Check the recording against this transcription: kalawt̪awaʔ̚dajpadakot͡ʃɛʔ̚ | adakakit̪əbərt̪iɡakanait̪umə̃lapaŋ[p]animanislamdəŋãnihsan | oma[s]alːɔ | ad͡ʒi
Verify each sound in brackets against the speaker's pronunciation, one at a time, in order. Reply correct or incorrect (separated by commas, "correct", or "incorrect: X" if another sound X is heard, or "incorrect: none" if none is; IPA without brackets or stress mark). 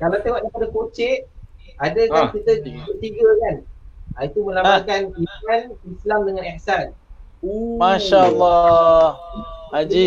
incorrect: k, incorrect: ʃ